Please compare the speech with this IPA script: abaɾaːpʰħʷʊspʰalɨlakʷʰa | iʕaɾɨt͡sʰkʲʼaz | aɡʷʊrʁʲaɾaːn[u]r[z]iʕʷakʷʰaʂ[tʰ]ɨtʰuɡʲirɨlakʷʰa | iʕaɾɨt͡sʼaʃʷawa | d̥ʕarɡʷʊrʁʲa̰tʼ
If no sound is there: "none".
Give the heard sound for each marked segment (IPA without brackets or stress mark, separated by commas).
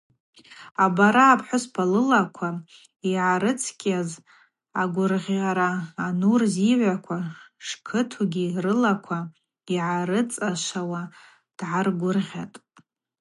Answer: u, z, kʰ